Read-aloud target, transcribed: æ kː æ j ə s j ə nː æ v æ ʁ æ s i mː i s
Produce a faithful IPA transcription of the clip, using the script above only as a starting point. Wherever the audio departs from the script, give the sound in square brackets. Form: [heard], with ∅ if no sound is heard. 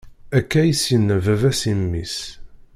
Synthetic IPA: æ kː æ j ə s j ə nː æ v æ [v] æ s i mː i s